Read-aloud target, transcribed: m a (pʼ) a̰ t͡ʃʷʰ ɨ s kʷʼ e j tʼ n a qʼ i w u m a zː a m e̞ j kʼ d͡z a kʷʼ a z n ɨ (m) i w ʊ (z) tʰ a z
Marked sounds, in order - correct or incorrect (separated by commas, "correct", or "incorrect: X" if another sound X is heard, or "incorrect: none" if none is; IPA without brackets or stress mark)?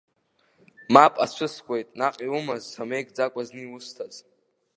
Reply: correct, incorrect: none, incorrect: s